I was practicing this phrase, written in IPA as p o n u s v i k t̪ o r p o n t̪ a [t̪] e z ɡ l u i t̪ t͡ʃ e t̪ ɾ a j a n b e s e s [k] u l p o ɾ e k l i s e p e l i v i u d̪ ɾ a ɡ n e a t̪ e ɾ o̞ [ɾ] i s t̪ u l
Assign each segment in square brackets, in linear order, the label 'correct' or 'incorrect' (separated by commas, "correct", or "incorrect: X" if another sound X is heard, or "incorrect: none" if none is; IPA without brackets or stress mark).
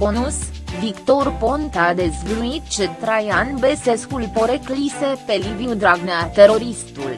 incorrect: d̪, correct, correct